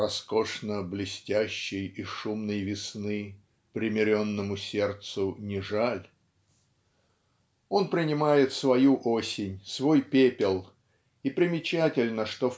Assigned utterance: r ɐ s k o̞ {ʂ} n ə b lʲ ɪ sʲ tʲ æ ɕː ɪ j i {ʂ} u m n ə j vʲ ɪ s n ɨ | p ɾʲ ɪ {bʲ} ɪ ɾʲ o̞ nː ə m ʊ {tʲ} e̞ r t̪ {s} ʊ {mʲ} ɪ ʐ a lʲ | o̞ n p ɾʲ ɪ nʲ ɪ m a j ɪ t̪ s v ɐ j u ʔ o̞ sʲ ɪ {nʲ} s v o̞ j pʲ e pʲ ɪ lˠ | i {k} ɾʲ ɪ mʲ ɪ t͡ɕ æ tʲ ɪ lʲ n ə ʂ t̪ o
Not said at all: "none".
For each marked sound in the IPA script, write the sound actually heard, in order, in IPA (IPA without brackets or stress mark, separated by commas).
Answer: ʂ, ʂ, mʲ, sʲ, s, nʲ, nʲ, p